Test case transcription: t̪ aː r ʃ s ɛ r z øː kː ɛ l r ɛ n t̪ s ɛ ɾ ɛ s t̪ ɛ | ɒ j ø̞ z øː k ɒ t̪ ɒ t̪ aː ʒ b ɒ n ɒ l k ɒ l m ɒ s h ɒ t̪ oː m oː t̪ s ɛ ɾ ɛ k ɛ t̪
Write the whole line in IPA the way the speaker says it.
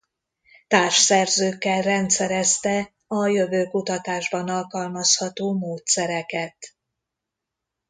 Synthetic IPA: t̪ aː r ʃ s ɛ r z øː kː ɛ l r ɛ n t̪ s ɛ ɾ ɛ s t̪ ɛ | ɒ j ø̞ v øː k u t̪ ɒ t̪ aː ʒ b ɒ n ɒ l k ɒ l m ɒ s h ɒ t̪ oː m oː t̪ s ɛ ɾ ɛ k ɛ t̪